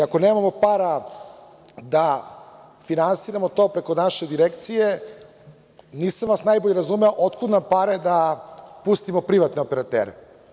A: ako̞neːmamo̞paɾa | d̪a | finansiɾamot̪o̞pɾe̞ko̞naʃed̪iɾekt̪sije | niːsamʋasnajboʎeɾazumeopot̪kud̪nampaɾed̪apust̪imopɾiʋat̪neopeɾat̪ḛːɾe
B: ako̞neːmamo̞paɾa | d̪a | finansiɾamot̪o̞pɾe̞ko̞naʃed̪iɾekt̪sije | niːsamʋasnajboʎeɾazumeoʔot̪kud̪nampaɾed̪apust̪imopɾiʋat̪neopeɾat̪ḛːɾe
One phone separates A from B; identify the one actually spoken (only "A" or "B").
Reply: B